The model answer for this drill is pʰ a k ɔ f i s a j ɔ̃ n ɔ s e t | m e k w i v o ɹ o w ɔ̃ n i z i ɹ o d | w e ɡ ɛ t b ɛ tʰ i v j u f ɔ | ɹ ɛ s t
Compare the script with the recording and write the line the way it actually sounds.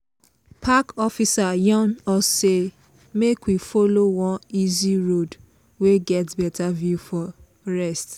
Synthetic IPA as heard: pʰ a k ɔ f i s a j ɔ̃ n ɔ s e | m e k w i f o l o w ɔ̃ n i z i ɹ o d | w e ɡ ɛ t b ɛ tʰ a v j u f ɔ | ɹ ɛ s t